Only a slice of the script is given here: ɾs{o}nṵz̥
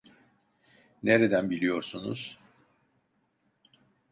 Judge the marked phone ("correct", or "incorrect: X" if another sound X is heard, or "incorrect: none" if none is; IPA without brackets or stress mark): incorrect: u